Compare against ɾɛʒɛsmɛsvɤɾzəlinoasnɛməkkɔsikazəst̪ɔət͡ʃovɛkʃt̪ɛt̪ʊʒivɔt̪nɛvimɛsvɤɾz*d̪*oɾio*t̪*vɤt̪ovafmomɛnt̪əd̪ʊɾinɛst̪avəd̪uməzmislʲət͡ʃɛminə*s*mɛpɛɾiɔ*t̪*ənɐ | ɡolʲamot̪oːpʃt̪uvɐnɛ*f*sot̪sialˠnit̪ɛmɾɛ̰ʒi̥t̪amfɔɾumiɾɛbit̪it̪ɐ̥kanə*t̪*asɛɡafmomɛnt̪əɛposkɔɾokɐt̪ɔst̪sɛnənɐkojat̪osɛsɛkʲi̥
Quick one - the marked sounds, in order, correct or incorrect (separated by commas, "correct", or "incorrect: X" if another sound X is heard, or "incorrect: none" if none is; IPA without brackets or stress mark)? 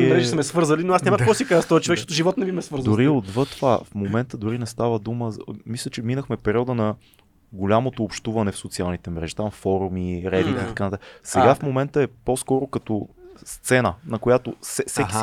correct, incorrect: d̪, incorrect: x, incorrect: d̪, correct, correct